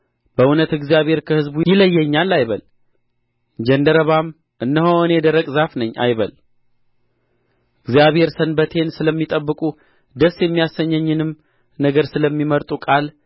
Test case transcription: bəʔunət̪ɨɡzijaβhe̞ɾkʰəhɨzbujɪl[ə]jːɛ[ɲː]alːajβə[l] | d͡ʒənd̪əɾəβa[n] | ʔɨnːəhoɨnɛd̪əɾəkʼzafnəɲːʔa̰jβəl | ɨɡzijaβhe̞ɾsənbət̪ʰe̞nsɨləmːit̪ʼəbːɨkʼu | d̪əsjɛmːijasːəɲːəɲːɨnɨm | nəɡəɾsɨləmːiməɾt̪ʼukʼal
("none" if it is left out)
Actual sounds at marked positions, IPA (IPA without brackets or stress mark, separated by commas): ə, ɲː, l, m